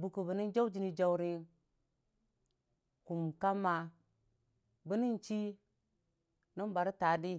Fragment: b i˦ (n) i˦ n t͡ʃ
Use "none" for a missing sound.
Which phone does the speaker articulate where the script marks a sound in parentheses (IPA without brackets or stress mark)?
n